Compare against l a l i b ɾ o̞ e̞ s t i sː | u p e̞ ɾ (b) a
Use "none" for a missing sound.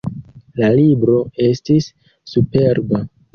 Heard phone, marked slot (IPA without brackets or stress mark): b